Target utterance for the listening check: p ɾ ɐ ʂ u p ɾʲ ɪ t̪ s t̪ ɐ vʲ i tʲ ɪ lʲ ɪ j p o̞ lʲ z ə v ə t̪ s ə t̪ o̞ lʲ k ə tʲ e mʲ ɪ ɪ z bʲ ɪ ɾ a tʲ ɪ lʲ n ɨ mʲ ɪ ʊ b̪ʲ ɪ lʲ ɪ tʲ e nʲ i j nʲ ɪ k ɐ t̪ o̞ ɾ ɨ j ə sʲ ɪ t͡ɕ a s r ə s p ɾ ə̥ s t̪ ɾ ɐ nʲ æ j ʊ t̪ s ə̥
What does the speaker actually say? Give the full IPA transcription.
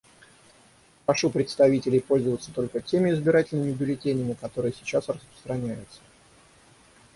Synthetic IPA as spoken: p ɾ ɐ ʂ u p ɾʲ ɪ t̪ s t̪ ɐ vʲ i tʲ ɪ lʲ ɪ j p o̞ lʲ z ə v ə t̪ s ə t̪ o̞ lʲ k ə tʲ e mʲ ɪ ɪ z bʲ ɪ ɾ a tʲ ɪ lʲ n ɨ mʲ ɪ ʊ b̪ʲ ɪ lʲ ɪ tʲ e nʲ ɪ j mʲ ɪ k ɐ t̪ o̞ ɾ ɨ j ə sʲ ɪ t͡ɕ a s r ə s p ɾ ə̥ s t̪ ɾ ɐ nʲ æ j ʊ t̪ s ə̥